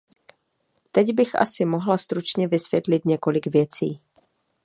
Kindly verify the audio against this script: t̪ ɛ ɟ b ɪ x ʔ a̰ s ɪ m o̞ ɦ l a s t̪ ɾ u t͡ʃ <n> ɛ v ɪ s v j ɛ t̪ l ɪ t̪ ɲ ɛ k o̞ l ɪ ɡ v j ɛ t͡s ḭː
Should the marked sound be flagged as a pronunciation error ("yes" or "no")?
yes